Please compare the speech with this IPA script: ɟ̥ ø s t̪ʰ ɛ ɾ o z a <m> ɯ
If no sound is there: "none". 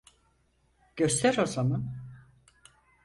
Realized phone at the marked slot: m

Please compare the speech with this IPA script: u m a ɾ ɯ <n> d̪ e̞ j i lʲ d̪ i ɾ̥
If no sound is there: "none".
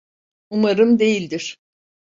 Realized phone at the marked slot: m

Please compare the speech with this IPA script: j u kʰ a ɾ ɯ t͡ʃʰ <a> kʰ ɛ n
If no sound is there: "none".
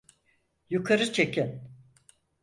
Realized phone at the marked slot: e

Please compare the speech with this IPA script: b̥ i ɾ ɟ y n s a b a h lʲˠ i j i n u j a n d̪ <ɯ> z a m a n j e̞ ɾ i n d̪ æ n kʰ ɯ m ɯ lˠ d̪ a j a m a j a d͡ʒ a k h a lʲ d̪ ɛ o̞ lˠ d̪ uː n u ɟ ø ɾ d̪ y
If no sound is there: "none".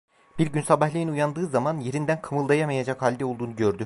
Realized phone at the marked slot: ɯː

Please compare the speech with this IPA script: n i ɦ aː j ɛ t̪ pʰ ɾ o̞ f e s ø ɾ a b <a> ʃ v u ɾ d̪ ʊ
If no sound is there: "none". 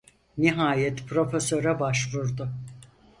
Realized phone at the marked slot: a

